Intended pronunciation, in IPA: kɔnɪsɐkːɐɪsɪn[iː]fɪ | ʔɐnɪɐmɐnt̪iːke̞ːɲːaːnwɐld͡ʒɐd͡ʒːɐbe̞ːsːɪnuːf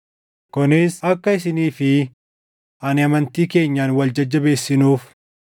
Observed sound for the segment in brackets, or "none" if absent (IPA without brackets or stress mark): iː